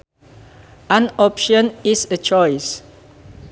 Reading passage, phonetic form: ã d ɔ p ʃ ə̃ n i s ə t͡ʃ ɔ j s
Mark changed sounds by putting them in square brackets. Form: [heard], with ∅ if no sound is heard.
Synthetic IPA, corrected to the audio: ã [n] ɔ p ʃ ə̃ n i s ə t͡ʃ ɔ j s